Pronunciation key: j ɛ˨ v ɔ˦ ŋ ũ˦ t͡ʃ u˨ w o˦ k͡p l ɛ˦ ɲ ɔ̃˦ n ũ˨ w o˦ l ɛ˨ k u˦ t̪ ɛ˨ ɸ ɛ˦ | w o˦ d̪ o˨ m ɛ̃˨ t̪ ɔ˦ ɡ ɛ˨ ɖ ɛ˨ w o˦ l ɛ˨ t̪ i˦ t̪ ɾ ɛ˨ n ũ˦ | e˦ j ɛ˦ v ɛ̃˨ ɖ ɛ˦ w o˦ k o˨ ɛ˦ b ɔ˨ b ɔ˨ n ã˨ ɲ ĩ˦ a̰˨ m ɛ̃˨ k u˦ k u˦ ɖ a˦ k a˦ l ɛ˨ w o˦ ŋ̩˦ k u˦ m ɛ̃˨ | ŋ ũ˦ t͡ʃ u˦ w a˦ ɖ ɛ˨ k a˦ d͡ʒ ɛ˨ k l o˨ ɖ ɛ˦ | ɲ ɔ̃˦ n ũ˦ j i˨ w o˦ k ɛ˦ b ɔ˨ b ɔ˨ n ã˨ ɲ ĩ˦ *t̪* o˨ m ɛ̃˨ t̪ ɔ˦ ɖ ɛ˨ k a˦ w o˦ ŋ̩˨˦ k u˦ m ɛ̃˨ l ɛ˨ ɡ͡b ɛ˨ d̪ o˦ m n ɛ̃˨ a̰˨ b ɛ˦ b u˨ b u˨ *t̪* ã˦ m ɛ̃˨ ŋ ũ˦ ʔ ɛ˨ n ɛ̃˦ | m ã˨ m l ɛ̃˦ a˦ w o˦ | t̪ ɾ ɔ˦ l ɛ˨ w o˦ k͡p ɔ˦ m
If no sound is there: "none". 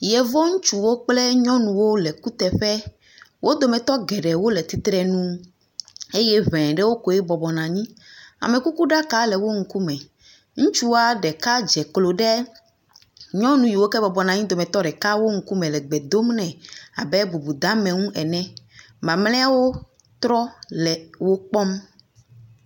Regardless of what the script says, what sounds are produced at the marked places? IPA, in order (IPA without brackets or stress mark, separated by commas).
d̪, d̪